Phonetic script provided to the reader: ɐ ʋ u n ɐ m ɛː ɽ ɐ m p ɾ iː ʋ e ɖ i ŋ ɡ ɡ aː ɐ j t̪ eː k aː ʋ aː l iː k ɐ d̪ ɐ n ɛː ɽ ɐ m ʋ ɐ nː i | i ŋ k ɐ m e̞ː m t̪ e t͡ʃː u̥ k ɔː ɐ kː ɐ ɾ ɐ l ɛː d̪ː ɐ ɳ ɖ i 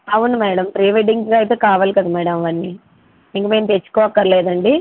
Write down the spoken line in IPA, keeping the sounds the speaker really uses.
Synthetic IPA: ɐ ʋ u n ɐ m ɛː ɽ ɐ m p ɾ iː ʋ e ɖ i ŋ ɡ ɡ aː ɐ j t̪ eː k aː ʋ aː l i k ɐ d̪ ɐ m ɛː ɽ ɐ m ʋ ɐ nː i | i ŋ k ɐ m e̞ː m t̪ e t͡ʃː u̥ k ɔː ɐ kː ɐ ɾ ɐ l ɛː d̪ ɐ ɳ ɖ i

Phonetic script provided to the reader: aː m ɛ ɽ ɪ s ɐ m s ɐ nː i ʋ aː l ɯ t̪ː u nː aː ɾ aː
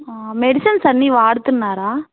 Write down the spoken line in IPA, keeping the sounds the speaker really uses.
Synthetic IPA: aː m ɛ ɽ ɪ s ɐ n s ɐ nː i ʋ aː ɽ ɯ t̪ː ɯ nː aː ɾ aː

